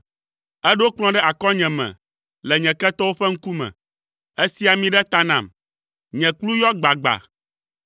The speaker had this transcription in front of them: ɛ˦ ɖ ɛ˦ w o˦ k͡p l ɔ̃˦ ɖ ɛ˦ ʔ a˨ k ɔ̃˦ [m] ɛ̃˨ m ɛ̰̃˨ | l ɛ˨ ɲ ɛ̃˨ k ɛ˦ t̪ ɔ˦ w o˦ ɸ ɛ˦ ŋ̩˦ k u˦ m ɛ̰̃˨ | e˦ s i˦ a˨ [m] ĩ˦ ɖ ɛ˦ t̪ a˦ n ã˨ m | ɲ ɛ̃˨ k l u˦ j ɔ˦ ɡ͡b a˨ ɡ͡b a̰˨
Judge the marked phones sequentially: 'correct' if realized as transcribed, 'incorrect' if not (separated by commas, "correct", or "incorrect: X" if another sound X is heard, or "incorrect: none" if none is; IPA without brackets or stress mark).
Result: incorrect: ɲ, correct